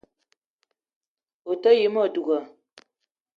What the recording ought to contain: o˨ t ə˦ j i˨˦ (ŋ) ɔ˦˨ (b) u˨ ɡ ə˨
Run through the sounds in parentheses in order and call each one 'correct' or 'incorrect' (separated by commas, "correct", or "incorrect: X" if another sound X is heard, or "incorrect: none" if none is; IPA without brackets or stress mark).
incorrect: m, incorrect: d